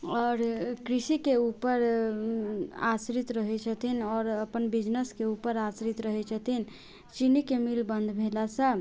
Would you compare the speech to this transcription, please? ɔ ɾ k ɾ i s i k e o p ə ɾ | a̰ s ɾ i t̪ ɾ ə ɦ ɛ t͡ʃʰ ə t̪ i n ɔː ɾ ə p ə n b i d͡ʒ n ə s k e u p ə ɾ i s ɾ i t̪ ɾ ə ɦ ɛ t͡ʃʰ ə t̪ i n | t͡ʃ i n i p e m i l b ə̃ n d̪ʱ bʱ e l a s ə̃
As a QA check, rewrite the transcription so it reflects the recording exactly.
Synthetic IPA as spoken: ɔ ɾ k ɾ i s i k e u p ə ɾ | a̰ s ɾ i t̪ ɾ ə ɦ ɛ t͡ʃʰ ə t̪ i n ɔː ɾ ə p ə n b i d͡ʒ n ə s k e u p ə ɾ a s ɾ i t̪ ɾ ə ɦ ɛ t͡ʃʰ ə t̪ i n | t͡ʃ i n i k e m i l b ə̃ n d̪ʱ bʱ e l a s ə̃